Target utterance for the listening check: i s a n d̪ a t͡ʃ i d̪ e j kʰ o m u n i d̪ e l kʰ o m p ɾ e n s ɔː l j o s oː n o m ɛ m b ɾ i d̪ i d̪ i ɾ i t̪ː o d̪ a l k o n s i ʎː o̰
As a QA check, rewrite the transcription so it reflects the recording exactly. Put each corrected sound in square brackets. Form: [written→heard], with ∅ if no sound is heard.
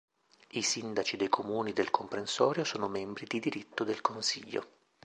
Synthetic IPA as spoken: i s [a→i] n d̪ a t͡ʃ i d̪ e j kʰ o m [u→uː] n i d̪ e l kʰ o m p ɾ e n s ɔː [l→ɾ] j o s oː n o m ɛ m b ɾ i d̪ i d̪ i ɾ i t̪ː o d̪ [a→e] l k o n s i ʎː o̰